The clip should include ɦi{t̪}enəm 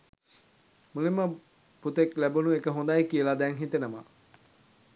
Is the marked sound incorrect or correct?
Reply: correct